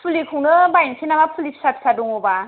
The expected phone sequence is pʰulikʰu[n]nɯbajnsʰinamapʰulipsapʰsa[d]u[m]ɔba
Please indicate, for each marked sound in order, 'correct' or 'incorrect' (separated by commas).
incorrect, correct, incorrect